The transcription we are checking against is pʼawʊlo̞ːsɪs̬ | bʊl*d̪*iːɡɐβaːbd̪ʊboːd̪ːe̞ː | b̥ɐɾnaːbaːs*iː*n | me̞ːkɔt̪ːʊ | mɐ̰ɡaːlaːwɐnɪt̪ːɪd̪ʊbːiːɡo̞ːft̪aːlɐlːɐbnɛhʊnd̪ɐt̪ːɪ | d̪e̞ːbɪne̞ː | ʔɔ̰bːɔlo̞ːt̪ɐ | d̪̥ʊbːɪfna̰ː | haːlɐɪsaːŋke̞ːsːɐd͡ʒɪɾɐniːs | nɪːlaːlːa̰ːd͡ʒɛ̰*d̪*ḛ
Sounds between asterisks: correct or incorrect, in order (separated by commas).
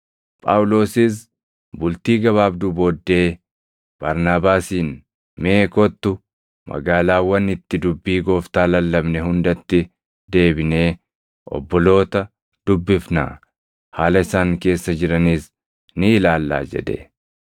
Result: incorrect, correct, correct